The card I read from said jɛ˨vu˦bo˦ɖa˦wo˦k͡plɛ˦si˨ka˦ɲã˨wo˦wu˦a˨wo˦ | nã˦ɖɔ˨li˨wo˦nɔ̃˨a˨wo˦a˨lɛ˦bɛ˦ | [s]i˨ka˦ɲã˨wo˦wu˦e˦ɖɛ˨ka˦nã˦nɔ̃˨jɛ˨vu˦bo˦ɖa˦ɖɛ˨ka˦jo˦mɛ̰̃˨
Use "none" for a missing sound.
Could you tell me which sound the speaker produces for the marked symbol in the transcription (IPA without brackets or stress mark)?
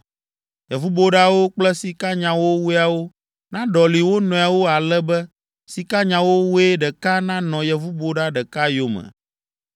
s